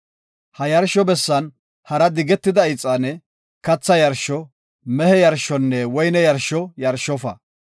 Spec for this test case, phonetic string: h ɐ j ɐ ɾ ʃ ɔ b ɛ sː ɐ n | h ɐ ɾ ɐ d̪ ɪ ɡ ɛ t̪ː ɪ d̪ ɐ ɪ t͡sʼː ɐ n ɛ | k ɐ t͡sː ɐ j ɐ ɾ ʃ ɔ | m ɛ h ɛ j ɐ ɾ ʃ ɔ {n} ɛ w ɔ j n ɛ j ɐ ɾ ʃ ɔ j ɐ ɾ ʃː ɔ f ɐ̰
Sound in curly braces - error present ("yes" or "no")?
yes